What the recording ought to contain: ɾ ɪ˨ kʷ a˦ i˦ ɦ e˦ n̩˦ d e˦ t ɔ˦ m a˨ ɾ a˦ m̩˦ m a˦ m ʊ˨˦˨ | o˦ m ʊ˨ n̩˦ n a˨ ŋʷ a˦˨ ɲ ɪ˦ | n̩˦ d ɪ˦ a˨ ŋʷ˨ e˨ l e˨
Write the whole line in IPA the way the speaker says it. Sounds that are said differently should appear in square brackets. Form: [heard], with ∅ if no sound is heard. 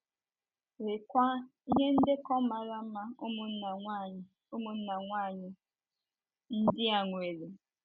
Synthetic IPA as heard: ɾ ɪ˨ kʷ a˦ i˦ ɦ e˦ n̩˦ d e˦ [k] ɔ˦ m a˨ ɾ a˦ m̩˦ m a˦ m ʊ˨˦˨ | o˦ m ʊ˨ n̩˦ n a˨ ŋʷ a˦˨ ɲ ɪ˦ | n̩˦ d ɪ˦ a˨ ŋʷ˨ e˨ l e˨